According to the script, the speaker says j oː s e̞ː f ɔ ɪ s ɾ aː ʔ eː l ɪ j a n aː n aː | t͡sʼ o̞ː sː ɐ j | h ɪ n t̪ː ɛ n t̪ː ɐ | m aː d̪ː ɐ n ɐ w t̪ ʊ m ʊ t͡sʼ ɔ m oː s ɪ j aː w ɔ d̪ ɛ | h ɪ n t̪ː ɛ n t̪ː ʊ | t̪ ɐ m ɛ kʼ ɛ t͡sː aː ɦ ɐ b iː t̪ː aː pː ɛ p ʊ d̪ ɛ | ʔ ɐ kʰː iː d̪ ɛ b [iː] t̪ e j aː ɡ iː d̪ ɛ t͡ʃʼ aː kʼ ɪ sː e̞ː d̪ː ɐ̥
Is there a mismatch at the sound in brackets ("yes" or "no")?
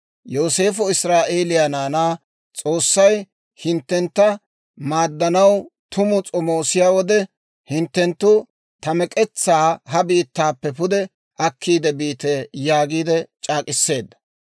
no